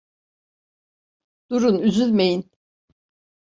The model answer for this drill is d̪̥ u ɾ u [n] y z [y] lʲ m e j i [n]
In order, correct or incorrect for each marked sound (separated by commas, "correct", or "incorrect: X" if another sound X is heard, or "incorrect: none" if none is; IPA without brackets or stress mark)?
correct, correct, correct